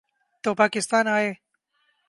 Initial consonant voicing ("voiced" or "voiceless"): voiceless